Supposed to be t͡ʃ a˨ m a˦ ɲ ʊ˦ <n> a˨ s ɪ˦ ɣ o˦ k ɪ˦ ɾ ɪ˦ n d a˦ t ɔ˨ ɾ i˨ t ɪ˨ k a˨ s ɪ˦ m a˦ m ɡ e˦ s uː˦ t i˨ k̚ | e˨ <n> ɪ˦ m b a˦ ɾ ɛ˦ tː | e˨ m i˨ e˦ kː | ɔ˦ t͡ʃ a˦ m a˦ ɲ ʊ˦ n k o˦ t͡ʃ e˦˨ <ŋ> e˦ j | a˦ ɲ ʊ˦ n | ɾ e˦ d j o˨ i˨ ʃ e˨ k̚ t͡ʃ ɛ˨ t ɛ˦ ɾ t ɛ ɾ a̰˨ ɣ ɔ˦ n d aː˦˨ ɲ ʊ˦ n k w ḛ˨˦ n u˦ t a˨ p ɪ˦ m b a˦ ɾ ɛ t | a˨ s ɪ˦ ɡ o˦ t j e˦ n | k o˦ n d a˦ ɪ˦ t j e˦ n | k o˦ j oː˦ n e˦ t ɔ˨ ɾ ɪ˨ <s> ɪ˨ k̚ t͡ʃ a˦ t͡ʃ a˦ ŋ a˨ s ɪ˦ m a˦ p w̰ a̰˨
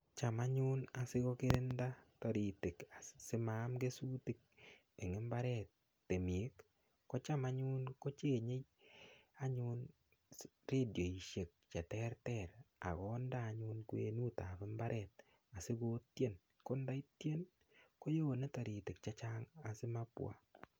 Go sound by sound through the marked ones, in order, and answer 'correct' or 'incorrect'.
correct, incorrect: ŋ, incorrect: ɲ, incorrect: t

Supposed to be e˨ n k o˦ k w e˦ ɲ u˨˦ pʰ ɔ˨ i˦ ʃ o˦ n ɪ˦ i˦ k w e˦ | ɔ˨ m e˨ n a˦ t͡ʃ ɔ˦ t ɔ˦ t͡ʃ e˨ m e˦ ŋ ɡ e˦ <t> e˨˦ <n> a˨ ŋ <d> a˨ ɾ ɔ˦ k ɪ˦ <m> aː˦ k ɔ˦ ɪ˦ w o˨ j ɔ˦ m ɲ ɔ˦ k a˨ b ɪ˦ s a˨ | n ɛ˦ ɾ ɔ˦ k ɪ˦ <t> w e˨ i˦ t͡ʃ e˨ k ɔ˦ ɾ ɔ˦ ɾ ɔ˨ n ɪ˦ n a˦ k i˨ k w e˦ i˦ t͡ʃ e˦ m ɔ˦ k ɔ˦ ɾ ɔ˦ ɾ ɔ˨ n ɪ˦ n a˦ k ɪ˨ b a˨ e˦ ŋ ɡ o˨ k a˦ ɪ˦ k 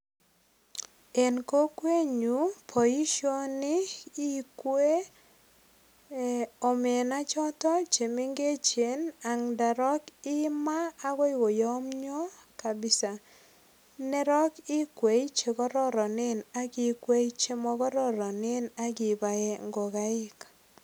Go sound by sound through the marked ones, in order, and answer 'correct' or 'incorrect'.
incorrect: t͡ʃ, correct, correct, correct, incorrect: k

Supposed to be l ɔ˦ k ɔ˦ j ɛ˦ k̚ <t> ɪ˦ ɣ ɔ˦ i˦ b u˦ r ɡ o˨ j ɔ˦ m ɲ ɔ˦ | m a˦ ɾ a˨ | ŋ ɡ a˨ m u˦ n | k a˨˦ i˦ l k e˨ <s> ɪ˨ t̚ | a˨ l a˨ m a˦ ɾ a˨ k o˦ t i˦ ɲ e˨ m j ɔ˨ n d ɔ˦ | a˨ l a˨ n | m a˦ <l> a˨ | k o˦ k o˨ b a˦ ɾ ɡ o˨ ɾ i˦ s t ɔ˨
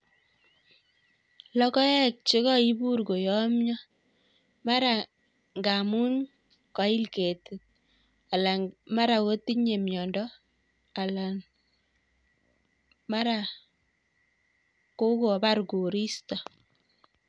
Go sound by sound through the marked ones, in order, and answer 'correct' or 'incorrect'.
incorrect: t͡ʃ, incorrect: t, incorrect: ɾ

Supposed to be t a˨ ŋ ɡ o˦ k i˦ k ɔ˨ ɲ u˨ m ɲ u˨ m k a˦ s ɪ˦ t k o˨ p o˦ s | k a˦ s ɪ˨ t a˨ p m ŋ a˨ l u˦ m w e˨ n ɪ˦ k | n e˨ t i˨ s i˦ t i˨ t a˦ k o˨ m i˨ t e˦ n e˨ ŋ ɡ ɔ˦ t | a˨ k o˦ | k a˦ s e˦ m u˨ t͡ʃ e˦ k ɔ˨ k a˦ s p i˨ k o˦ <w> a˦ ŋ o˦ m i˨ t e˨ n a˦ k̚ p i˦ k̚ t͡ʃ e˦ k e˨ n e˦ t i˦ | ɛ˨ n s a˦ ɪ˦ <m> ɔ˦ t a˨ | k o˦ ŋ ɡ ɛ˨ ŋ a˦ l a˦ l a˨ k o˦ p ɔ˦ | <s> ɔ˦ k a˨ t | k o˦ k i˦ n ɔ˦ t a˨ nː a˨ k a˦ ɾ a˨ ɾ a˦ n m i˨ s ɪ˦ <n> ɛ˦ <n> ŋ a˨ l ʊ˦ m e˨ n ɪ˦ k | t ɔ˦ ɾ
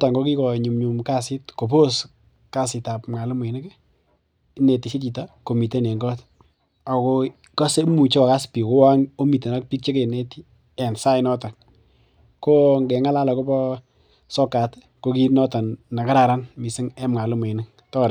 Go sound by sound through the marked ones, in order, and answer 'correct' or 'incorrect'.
correct, incorrect: n, correct, incorrect: ŋ, incorrect: m

